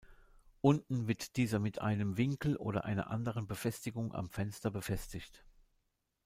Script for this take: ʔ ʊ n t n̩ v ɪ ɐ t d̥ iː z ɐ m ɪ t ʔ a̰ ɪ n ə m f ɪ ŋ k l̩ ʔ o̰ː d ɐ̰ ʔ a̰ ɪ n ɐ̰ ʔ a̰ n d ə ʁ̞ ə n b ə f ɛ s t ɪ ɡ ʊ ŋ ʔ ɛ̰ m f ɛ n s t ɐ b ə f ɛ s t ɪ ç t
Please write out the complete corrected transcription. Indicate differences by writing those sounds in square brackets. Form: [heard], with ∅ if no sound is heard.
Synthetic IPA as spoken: ʔ ʊ n t n̩ v ɪ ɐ t d̥ iː z ɐ m ɪ t ʔ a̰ ɪ n ə m [v] ɪ ŋ k l̩ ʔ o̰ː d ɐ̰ ʔ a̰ ɪ n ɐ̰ ʔ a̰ n d ə ʁ̞ ə n b ə f ɛ s t ɪ ɡ ʊ ŋ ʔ [a̰] m f ɛ n s t ɐ b ə f ɛ s t ɪ ç t